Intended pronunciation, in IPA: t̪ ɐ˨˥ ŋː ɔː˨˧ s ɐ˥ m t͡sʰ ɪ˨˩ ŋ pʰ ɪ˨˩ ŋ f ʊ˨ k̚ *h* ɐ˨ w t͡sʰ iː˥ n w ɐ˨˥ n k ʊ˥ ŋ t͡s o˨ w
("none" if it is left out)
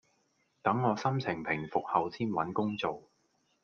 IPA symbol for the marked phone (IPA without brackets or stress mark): h